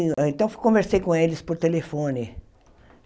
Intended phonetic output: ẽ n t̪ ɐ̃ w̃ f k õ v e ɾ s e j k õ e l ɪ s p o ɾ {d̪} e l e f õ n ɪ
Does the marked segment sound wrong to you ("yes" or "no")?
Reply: yes